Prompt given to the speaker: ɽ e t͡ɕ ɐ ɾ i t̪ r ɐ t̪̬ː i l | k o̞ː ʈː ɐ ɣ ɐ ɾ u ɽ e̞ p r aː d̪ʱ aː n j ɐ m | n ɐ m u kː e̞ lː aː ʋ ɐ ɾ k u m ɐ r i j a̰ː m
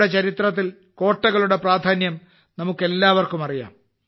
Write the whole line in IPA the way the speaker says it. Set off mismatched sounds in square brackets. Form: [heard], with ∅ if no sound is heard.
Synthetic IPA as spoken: ɽ e t͡ɕ ɐ ɾ i t̪ r ɐ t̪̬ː i l | k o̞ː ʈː ɐ ɣ ɐ [ɭ] u ɽ e̞ p r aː d̪ʱ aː n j ɐ m | n ɐ m u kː e̞ lː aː ʋ ɐ [r] k u m ɐ r i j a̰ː m